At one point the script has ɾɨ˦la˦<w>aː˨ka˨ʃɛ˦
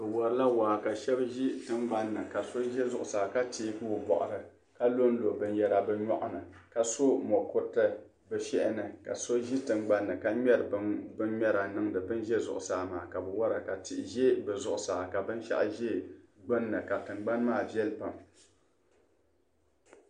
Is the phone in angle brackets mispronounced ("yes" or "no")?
no